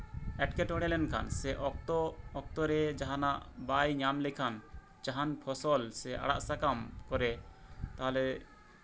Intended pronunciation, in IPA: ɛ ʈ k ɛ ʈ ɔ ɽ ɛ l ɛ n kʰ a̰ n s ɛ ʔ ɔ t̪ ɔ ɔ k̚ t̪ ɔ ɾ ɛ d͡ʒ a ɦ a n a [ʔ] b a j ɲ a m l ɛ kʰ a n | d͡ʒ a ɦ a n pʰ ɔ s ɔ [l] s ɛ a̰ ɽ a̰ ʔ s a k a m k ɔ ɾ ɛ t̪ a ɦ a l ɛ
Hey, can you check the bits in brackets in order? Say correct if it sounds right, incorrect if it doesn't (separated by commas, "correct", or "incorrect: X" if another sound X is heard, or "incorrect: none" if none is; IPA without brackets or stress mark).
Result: correct, correct